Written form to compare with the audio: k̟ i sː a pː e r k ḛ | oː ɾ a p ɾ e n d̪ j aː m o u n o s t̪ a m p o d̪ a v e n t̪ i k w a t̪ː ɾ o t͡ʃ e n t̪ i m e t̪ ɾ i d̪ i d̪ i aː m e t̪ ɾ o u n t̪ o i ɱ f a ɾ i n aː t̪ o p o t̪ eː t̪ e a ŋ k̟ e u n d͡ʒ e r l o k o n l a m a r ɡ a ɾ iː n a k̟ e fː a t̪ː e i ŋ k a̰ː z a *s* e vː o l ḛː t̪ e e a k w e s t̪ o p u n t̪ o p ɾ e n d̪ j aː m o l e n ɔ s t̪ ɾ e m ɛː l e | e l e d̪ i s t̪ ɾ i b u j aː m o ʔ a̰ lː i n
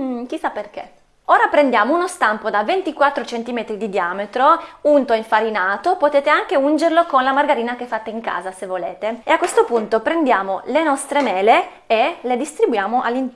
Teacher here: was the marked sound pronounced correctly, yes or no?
yes